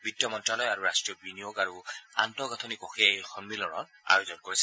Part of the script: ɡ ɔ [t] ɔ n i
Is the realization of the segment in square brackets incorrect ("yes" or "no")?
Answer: yes